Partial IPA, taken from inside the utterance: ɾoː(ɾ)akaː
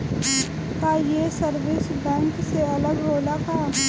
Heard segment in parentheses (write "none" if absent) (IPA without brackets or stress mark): l